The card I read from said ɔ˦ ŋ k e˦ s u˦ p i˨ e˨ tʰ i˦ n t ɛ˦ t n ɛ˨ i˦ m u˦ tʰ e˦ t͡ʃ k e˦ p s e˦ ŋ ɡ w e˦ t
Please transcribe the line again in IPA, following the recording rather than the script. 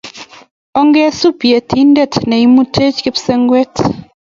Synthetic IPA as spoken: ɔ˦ ŋ ɡ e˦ s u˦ p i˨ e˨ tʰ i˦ n d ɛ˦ t n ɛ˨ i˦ m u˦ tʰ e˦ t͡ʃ k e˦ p s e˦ ŋ ɡ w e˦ t